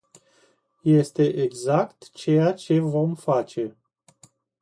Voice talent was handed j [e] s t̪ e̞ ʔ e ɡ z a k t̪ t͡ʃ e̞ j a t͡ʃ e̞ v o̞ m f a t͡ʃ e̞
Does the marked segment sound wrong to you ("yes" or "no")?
no